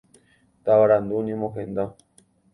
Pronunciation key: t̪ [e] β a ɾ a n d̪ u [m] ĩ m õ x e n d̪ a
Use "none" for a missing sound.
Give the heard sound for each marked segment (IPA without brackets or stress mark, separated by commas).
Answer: a, n